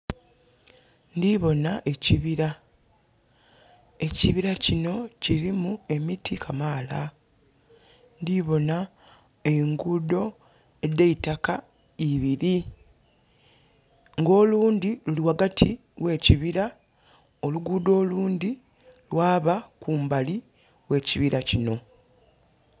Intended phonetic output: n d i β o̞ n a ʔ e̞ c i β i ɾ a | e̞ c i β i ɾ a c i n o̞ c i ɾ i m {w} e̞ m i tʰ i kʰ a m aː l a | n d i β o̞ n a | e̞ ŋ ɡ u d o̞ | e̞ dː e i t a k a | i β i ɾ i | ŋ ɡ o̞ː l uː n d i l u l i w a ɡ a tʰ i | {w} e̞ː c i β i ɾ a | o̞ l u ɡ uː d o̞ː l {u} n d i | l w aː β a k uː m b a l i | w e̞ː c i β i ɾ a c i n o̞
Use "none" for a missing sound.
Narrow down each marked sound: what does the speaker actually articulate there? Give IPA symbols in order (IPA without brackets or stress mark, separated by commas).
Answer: u, w, uː